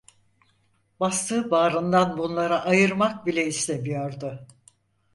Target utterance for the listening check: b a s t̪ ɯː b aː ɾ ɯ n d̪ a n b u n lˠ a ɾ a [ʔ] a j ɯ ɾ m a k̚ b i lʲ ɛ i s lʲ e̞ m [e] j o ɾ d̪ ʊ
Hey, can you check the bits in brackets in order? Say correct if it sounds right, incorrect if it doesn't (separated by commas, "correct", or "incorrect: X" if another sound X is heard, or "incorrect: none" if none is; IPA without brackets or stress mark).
correct, incorrect: i